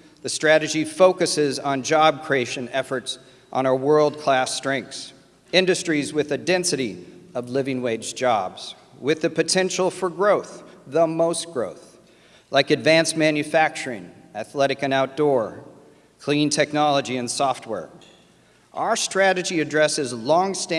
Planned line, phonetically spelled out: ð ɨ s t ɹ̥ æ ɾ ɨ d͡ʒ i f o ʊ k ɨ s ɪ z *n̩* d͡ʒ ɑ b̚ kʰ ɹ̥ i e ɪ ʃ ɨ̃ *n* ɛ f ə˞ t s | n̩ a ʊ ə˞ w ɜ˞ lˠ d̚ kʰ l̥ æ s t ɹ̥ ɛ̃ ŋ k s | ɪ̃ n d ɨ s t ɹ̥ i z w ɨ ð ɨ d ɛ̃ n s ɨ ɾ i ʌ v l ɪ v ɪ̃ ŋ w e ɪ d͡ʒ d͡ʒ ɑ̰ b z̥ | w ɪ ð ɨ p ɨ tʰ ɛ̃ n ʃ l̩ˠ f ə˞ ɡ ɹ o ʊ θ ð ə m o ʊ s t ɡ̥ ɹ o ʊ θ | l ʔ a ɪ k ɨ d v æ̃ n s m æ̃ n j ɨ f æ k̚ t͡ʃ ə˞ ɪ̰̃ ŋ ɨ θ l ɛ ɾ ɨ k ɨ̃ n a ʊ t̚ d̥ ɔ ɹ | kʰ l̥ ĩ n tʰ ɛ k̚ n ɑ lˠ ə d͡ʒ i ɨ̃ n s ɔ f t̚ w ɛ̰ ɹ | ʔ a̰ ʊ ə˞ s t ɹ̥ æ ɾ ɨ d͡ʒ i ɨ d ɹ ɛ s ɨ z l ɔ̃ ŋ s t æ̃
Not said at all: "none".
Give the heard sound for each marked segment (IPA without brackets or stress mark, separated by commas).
n̩, n